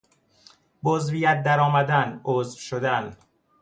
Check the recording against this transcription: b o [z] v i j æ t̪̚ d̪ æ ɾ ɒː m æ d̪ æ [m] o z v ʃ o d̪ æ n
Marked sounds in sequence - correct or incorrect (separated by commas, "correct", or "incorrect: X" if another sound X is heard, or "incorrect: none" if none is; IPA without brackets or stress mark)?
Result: correct, incorrect: n